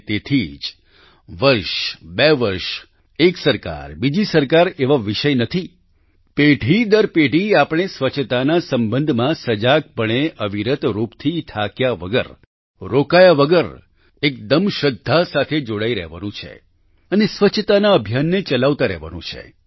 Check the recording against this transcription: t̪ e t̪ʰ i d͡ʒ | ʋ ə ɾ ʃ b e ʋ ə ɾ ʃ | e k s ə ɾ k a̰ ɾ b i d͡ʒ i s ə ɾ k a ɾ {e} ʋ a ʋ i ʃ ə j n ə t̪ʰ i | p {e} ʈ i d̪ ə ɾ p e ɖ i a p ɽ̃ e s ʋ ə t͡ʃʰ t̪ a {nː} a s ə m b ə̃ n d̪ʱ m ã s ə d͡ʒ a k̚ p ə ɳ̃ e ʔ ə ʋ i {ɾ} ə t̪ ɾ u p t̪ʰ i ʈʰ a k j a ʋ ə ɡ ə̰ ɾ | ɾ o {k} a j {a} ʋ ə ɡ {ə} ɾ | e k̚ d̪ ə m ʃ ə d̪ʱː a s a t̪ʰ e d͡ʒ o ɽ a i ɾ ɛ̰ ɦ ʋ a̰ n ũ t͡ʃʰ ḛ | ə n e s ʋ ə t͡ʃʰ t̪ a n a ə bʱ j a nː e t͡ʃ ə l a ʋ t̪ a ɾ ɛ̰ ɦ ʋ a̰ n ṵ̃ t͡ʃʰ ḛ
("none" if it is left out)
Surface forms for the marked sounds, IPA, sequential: e, e, n, ɾ, k, a, ə

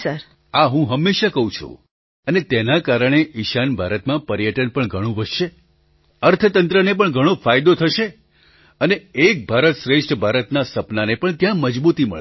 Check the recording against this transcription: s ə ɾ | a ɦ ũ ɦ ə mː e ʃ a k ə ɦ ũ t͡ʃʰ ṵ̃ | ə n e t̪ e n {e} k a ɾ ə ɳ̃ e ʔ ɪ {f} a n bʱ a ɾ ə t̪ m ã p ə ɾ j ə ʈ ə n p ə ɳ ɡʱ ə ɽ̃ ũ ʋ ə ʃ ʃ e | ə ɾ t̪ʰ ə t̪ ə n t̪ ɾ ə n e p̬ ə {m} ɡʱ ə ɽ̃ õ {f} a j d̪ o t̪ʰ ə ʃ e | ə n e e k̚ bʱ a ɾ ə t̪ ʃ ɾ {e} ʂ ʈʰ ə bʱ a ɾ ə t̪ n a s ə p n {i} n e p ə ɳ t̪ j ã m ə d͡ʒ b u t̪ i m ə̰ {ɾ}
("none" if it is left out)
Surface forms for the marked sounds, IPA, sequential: a, ʃ, ɳ, f, e, a, ɭ

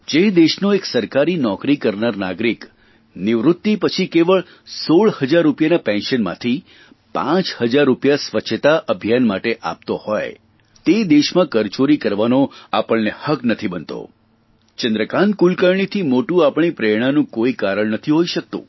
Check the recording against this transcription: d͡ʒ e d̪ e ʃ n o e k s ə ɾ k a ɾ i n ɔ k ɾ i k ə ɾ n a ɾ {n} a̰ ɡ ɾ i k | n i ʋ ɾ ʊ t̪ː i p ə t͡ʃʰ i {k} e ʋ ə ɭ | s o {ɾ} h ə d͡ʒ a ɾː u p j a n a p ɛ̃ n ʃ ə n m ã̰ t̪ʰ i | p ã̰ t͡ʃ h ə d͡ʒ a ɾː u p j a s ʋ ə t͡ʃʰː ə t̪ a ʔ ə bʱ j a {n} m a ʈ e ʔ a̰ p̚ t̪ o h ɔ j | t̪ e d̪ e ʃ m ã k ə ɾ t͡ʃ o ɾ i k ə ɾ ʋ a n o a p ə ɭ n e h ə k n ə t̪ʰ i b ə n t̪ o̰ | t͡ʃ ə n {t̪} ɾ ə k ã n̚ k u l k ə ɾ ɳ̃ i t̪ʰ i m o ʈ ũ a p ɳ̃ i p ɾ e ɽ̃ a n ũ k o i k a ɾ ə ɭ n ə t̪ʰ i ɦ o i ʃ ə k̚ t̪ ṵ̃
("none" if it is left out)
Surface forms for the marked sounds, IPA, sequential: n, k, ɭ, n, d̪

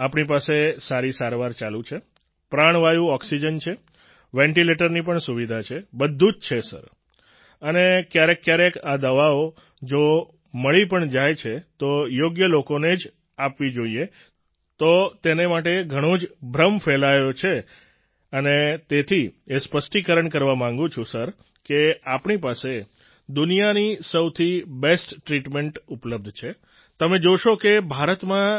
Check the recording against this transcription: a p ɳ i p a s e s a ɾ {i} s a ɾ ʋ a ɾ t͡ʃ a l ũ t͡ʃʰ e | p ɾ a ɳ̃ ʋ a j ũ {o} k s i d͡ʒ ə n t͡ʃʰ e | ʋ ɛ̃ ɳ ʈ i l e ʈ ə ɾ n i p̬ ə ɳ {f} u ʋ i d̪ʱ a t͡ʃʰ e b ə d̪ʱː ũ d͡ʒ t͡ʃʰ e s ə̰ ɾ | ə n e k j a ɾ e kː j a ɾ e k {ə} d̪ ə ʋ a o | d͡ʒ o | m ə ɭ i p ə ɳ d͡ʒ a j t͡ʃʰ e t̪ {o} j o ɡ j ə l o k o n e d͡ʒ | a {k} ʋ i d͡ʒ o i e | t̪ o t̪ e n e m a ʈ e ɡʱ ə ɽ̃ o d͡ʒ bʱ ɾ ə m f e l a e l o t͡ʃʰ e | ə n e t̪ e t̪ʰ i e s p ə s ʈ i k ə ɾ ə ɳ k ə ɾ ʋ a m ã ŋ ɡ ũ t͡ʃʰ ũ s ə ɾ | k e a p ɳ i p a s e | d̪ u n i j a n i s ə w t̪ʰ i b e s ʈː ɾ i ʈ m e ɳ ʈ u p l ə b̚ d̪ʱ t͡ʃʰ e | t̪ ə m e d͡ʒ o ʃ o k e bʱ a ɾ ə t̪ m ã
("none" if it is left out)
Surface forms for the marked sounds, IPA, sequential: i, ɔ, s, a, o, p

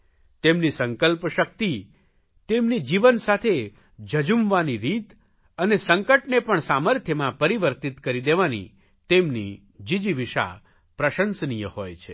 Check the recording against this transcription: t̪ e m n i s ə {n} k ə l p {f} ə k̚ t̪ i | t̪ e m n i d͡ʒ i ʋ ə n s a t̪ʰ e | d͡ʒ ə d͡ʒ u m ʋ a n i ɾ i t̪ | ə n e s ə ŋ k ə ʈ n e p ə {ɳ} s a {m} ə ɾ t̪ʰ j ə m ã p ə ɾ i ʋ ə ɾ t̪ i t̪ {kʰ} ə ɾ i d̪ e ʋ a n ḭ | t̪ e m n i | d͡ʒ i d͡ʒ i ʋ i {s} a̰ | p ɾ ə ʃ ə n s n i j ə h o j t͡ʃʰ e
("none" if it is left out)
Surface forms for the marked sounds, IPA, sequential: ŋ, ʃ, ɳ, m, k, ʃ

